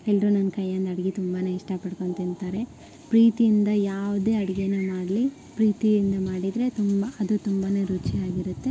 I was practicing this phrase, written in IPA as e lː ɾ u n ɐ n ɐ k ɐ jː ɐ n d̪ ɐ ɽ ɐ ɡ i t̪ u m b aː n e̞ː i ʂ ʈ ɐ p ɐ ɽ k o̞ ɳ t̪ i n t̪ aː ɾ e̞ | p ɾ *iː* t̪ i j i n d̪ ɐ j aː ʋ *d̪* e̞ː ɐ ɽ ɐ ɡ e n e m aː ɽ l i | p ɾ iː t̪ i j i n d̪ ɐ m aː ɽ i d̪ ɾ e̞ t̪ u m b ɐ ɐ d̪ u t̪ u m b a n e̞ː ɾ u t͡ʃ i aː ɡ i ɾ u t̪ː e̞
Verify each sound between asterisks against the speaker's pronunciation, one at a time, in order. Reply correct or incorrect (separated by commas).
correct, correct